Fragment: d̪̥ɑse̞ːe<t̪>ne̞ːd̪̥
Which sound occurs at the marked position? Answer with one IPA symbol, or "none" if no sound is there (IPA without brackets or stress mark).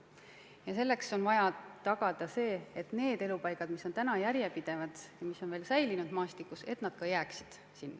t̪